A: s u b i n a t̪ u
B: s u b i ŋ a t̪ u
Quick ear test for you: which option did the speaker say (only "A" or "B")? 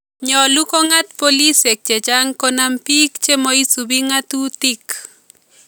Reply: B